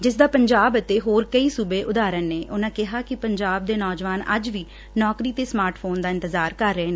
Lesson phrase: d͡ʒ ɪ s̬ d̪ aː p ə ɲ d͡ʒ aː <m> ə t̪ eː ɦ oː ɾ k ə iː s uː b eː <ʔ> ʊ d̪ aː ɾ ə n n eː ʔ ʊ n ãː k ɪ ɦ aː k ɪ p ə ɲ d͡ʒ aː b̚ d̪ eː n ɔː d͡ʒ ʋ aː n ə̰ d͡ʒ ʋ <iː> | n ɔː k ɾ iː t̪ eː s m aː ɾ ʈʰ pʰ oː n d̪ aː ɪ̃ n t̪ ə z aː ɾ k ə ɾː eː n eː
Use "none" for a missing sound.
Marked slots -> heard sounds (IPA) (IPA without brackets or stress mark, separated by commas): b, ʔ, iː